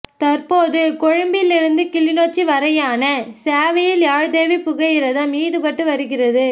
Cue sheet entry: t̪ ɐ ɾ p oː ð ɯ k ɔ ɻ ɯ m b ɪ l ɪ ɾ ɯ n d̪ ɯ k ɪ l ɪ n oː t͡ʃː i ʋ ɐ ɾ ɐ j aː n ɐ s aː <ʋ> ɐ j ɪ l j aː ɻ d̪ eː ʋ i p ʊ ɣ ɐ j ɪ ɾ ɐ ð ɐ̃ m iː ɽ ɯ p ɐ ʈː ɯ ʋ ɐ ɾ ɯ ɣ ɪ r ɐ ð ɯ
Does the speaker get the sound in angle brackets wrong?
no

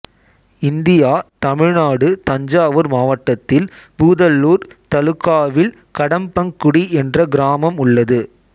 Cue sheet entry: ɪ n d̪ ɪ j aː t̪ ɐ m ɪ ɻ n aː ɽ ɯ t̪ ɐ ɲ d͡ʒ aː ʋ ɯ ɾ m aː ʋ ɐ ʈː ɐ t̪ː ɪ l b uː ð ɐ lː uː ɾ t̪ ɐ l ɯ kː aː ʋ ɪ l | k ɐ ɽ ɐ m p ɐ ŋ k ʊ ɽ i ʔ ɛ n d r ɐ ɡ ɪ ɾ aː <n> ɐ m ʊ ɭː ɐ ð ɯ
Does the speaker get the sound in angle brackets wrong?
yes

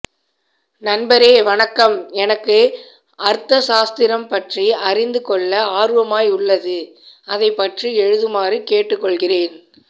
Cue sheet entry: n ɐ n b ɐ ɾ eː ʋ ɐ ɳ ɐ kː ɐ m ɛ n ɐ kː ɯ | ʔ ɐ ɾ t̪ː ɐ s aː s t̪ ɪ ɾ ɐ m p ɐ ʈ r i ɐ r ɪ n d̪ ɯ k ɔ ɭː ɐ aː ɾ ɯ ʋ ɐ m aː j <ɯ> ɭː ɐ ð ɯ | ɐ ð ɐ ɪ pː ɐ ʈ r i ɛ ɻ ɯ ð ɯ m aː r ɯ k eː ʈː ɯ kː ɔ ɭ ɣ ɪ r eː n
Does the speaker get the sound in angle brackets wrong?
yes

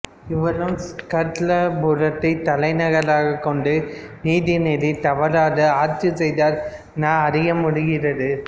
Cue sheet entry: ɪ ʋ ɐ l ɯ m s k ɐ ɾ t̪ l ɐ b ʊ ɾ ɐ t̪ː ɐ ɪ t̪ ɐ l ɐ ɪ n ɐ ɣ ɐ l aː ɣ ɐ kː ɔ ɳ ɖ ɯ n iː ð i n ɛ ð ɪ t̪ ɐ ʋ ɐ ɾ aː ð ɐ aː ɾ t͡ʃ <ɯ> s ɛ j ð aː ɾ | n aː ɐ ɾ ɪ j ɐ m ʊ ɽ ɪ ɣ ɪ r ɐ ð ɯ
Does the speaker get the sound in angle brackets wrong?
no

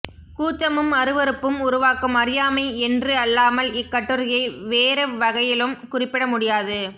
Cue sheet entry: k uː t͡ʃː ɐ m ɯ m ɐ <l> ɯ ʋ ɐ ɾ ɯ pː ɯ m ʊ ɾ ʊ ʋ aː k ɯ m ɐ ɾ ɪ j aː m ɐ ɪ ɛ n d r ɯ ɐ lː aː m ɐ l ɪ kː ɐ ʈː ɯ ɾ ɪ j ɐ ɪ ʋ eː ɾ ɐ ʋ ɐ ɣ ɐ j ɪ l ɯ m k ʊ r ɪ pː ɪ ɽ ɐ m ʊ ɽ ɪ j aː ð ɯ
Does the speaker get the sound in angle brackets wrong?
yes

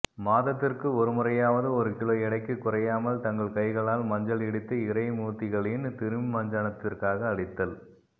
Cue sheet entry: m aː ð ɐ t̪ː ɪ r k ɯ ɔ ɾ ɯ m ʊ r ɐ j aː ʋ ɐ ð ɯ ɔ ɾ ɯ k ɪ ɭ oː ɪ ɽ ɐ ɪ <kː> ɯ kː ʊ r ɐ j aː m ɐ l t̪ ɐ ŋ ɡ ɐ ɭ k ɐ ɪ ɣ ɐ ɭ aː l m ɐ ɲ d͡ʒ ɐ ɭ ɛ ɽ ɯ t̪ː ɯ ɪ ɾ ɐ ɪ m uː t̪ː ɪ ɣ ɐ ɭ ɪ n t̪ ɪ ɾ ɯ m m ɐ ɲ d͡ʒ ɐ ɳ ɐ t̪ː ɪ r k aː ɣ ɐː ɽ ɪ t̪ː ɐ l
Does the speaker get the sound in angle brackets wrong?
no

